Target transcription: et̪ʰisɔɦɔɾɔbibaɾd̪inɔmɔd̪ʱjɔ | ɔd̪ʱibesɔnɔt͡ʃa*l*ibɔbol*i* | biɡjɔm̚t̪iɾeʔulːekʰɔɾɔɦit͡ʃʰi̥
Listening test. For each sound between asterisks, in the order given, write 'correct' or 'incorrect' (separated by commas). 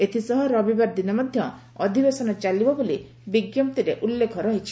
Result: correct, correct